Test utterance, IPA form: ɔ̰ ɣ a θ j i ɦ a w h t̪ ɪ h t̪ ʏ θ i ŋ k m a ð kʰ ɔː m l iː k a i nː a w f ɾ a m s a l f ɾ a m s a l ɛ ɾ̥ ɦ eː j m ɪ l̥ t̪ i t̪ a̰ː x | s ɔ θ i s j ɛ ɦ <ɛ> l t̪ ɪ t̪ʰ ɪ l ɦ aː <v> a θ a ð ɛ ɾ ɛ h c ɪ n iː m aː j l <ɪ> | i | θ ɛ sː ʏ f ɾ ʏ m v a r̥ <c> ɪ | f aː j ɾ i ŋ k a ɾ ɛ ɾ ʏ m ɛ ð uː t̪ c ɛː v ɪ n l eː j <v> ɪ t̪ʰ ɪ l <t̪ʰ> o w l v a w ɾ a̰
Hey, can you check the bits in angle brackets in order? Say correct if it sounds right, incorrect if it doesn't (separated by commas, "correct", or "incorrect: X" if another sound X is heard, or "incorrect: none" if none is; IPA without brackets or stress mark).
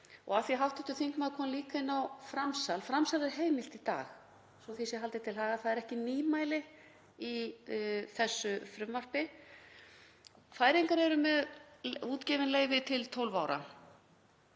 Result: incorrect: a, incorrect: ɣ, correct, incorrect: p, correct, correct